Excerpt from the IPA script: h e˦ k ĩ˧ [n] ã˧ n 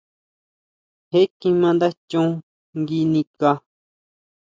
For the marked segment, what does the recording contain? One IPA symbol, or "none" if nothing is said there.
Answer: m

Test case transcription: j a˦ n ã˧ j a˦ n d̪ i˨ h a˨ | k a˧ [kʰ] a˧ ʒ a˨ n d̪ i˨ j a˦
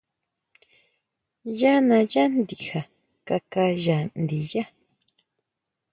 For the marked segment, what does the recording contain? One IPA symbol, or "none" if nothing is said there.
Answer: k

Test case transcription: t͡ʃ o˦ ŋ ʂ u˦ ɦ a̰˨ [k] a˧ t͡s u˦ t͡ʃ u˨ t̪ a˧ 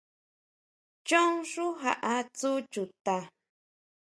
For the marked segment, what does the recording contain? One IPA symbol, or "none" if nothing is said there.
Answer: ʔ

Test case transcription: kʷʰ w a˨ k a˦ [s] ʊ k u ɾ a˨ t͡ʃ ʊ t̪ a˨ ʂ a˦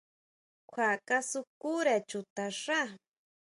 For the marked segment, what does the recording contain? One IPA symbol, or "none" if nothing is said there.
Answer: s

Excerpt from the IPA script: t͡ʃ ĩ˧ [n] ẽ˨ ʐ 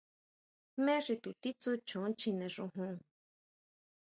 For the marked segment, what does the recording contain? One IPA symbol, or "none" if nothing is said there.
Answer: n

